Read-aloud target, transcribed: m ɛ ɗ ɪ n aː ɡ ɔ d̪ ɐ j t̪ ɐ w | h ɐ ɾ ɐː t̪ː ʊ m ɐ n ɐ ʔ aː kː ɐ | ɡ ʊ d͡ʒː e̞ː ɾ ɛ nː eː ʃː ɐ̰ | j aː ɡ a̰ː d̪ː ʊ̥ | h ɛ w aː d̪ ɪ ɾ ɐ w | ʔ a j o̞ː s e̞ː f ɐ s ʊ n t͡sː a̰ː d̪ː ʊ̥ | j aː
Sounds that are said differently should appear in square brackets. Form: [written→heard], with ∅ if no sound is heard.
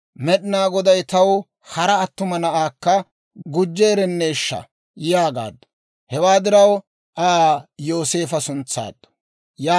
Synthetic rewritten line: m ɛ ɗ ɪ n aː ɡ ɔ d̪ ɐ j t̪ ɐ w | h ɐ ɾ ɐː t̪ː ʊ m ɐ n ɐ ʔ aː kː ɐ | ɡ ʊ d͡ʒː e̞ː ɾ ɛ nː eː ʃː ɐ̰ | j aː ɡ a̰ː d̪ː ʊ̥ | h ɛ w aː d̪ ɪ ɾ ɐ w | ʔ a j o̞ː s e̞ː f ɐ s ʊ n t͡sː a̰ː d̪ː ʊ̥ | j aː

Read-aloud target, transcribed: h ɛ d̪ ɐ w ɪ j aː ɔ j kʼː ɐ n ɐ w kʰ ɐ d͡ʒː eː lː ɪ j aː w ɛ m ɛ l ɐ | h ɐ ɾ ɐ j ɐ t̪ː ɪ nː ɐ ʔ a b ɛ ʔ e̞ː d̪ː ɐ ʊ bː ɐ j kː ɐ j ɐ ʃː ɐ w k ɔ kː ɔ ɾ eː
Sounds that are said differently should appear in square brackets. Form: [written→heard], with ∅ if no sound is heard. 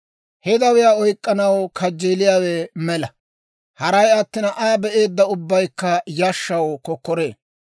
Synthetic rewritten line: h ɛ d̪ ɐ w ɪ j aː ɔ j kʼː ɐ n ɐ w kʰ ɐ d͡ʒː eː [lː→l] ɪ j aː w ɛ m ɛ l ɐ | h ɐ ɾ ɐ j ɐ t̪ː ɪ [nː→n] ɐ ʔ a b ɛ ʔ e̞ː d̪ː ɐ ʊ bː ɐ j kː ɐ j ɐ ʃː ɐ w k ɔ kː ɔ ɾ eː

